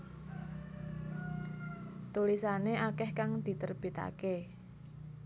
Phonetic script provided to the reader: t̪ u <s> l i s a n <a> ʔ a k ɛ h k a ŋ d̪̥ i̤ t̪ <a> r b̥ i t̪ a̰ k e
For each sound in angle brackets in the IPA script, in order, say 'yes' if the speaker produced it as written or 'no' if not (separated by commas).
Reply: no, no, no